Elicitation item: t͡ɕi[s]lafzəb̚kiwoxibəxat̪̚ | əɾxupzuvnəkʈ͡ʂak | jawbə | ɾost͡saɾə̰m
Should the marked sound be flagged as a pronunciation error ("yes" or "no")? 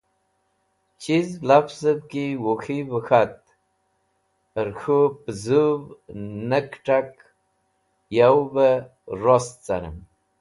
yes